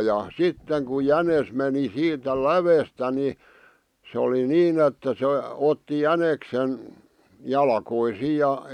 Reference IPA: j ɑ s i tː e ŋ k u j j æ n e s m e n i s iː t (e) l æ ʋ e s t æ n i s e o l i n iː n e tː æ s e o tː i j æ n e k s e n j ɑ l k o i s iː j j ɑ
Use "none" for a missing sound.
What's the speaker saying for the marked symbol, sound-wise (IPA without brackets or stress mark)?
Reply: æ